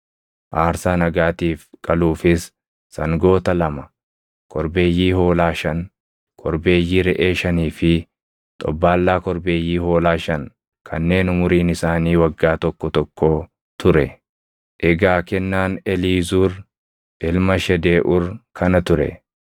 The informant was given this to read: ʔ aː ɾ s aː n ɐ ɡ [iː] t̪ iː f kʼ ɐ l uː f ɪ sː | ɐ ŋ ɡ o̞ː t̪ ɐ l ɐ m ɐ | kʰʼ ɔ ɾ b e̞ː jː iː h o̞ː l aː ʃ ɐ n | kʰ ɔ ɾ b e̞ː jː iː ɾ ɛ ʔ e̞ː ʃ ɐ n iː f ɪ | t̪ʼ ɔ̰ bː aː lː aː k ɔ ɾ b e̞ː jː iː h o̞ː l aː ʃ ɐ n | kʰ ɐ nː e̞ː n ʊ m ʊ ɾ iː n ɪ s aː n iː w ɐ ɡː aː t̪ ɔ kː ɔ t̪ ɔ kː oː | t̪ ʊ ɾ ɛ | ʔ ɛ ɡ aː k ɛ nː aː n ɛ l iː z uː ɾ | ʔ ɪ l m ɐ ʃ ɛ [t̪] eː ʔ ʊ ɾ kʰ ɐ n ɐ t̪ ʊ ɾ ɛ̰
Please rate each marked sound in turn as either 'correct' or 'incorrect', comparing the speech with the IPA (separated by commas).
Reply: incorrect, incorrect